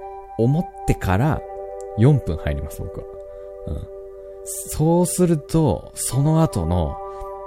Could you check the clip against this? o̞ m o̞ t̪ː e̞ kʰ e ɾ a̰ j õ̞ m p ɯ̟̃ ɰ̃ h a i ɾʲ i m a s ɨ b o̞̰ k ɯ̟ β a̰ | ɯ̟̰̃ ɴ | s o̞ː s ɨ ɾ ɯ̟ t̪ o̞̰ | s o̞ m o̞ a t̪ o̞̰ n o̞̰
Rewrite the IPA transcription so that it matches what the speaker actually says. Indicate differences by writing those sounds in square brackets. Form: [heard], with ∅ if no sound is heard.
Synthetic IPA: o̞ m o̞ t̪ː e̞ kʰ [a] ɾ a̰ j õ̞ m p ɯ̟̃ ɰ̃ h a i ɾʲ i m a s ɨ b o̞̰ k ɯ̟ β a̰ | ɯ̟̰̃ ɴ | s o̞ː s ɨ ɾ ɯ̟ t̪ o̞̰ | s o̞ [n] o̞ a t̪ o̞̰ n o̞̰